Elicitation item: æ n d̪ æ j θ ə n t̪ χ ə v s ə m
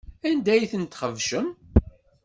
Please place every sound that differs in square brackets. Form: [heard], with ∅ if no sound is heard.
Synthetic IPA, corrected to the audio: æ n d̪ æ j θ ə n t̪ χ ə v [ʃ] ə m